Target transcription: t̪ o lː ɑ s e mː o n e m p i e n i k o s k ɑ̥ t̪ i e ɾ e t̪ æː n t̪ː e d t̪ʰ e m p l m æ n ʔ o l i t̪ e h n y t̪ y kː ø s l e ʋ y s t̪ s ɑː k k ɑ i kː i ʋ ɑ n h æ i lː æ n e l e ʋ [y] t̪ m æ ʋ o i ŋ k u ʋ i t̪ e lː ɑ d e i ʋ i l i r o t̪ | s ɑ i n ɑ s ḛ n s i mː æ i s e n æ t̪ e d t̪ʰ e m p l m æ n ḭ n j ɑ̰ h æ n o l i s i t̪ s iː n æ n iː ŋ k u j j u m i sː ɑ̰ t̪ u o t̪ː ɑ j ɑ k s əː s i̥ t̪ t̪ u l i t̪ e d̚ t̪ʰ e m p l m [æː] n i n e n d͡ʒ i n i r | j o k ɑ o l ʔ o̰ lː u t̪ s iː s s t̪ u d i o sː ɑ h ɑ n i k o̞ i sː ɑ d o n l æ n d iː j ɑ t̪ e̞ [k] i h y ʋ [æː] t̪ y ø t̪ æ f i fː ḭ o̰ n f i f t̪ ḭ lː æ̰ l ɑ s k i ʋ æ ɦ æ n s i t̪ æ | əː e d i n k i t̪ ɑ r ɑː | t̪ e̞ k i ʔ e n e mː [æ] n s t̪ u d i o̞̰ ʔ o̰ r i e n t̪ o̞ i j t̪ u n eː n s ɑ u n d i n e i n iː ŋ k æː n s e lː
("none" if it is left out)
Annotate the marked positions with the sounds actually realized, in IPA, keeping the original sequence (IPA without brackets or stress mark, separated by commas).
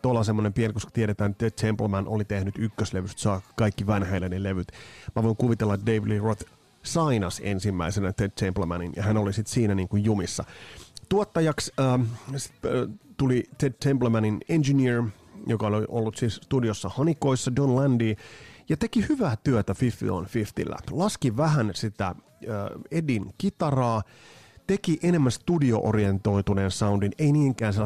y, æ, k, æː, æ